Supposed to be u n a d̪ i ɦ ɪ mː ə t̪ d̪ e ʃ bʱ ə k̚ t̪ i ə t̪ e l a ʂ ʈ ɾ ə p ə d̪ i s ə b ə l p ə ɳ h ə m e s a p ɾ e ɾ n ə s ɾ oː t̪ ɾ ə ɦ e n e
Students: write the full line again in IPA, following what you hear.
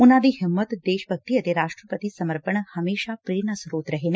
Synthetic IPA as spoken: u n a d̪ i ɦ ɪ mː ə t̪ d̪ e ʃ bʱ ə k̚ t̪ i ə t̪ e ɾ a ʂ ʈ ɾ ə p ə t̪ i s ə m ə ɾ p ə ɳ h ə m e ʃ a p ɾ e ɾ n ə s ɾ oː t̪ ɾ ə ɦ e n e